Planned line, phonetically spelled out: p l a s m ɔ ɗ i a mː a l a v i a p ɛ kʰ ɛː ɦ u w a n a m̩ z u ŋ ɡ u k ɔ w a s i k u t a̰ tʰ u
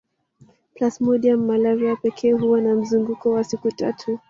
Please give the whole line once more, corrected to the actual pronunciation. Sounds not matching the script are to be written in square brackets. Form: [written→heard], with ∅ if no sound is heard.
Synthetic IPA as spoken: p l a s m ɔ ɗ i a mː a l a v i a p ɛ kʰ ɛː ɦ u w a n a m̩ z u ŋ ɡ u k ɔ w a s i k u t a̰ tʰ u